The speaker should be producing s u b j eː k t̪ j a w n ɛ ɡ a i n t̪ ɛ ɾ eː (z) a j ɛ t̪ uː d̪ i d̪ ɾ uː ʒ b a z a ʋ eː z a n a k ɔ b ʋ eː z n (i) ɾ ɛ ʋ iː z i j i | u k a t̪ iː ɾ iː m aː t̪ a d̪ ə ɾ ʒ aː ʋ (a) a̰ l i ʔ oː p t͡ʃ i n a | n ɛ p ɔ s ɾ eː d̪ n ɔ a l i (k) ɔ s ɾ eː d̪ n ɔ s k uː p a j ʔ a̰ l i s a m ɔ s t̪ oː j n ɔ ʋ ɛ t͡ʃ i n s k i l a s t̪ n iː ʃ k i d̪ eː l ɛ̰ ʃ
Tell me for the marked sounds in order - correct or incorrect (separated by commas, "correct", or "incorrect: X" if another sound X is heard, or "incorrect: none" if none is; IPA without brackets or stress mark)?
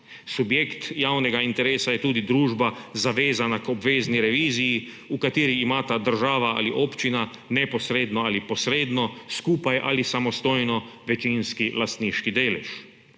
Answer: incorrect: s, correct, correct, incorrect: p